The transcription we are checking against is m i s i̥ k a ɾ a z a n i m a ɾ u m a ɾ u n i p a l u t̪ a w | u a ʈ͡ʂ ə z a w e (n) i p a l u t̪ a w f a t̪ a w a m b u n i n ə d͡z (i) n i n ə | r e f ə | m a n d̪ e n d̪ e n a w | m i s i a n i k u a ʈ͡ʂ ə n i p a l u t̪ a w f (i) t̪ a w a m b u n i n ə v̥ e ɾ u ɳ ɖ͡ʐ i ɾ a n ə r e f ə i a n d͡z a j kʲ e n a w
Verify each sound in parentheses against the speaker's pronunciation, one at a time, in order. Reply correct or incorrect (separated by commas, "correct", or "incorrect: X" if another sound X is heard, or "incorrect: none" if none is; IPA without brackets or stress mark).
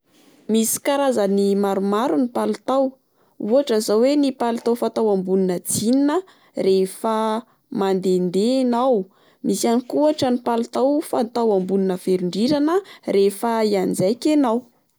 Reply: correct, correct, incorrect: a